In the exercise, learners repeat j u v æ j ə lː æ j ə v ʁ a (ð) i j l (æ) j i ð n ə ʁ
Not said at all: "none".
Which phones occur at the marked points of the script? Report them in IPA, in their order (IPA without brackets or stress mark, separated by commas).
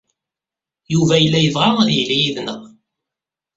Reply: ð, i